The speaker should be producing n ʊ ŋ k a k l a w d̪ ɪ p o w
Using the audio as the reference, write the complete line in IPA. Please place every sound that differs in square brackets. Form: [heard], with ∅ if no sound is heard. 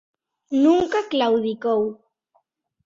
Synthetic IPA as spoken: n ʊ ŋ k a k l a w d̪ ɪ [k] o w